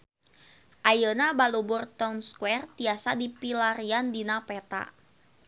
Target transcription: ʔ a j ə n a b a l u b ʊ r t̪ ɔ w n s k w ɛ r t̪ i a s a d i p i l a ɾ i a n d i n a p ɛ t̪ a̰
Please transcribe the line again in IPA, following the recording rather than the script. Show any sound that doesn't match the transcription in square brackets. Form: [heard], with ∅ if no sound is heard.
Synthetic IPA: ʔ a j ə n a b a l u b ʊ r t̪ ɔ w n s k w ɛ r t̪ i a s a d i p i l a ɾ i a n d i n a p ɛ t̪ a̰